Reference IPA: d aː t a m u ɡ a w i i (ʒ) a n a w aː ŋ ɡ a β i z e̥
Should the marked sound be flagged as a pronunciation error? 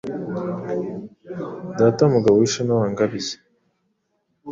yes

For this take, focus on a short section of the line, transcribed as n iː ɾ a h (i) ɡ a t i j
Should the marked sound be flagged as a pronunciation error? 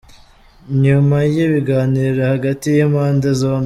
yes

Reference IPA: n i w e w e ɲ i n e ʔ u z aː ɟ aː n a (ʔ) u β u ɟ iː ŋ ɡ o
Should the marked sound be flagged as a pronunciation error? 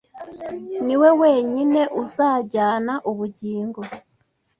no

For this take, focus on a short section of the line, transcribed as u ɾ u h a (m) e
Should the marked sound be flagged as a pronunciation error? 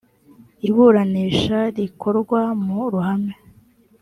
no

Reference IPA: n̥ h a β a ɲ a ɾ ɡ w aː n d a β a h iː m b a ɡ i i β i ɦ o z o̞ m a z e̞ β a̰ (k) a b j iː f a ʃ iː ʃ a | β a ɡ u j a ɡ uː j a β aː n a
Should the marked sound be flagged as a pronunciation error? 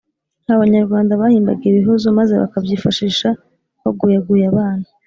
no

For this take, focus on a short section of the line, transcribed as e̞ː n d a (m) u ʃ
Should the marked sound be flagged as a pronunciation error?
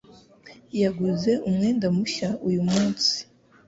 no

